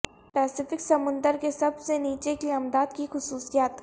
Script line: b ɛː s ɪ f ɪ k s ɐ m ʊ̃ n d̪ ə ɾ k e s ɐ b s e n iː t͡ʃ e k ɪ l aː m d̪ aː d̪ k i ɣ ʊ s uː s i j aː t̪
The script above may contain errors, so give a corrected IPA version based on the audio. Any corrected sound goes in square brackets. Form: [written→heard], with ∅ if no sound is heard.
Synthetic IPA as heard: [b→p] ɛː s ɪ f ɪ k s ɐ m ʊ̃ n d̪ ə ɾ k e s ɐ b s e n iː t͡ʃ e k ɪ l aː m d̪ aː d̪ k i [ɣ→x] ʊ s uː s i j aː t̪